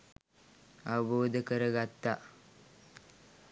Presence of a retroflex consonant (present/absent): absent